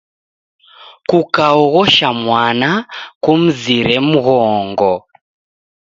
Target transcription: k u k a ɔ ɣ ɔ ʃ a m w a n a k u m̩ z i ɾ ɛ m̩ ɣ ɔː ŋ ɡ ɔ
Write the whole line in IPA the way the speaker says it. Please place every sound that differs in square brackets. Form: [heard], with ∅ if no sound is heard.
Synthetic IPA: k u k a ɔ ɣ ɔ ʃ a m w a n a k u m̩ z i ɾ ɛ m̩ ɣ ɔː ŋ ɡ ɔ